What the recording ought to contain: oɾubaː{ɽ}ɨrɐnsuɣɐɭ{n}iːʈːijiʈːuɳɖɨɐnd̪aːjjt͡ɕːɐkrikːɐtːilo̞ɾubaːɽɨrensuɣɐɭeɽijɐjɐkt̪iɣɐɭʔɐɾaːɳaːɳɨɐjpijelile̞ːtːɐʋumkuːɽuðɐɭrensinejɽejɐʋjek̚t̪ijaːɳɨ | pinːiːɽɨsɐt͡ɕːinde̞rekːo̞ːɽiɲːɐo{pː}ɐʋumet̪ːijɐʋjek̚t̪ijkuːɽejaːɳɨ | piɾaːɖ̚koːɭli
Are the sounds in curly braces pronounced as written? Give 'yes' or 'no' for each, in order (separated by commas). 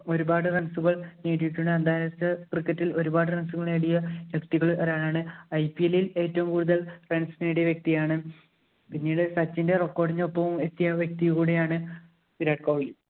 yes, yes, yes